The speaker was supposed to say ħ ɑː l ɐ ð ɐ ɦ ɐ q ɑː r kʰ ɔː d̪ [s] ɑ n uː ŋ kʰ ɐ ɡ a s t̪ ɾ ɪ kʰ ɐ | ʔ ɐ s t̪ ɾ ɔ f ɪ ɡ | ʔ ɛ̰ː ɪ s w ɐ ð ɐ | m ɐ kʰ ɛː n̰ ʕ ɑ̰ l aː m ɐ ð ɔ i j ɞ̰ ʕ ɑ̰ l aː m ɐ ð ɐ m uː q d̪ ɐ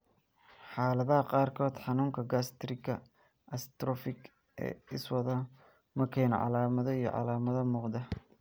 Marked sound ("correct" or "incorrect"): incorrect